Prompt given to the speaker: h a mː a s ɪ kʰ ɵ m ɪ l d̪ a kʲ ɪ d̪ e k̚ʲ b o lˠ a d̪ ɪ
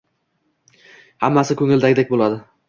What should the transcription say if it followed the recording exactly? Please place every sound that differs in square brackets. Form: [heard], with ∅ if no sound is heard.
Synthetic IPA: h a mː a s ɪ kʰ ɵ [ŋ] ɪ l d̪ a [ɡʲ] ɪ d̪ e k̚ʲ b o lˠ a d̪ ɪ